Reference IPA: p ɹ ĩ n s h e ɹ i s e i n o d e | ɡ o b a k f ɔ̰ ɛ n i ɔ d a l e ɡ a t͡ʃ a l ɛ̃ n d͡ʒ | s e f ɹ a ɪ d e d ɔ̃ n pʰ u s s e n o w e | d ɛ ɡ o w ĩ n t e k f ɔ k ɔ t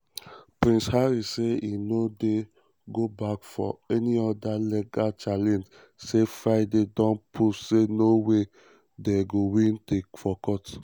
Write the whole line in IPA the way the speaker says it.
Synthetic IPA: p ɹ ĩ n s h a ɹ i s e i n o d e | ɡ o b a k f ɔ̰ ɛ n i ɔ d a l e ɡ a t͡ʃ a l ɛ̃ n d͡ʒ | s e f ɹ a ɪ d e d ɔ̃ n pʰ u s s e n o w e | d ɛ ɡ o w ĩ n t e k f ɔ k ɔ t